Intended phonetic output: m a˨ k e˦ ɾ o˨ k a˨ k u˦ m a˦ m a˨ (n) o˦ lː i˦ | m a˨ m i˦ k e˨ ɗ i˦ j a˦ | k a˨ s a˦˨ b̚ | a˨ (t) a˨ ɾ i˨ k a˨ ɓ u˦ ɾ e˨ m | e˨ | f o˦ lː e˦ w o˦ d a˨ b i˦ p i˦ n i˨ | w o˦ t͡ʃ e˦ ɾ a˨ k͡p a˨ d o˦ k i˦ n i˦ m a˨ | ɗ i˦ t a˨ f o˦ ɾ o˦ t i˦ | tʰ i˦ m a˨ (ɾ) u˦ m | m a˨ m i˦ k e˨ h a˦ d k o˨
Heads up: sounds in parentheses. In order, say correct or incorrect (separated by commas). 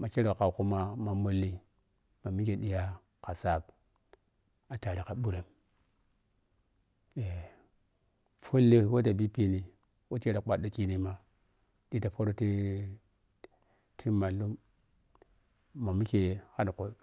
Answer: incorrect, correct, incorrect